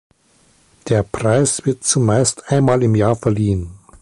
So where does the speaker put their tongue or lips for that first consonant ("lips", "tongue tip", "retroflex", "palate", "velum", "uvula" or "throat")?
tongue tip